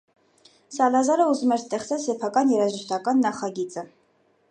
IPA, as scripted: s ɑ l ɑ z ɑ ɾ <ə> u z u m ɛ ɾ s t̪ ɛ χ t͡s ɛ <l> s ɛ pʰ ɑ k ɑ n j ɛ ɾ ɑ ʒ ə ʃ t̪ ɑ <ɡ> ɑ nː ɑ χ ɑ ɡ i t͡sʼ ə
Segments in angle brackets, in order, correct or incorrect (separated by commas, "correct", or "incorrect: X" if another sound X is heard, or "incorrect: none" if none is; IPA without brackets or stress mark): correct, correct, incorrect: k